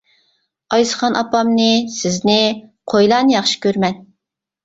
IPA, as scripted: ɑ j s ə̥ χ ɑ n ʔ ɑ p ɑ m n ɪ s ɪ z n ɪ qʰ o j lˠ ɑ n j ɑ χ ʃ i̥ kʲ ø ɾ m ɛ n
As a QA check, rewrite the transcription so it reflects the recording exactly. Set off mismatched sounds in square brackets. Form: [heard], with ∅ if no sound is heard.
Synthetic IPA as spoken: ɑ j s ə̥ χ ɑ n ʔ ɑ p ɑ m n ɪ s ɪ z n ɪ qʰ o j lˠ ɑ n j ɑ χ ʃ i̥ kʲ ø ɾ m ɛ n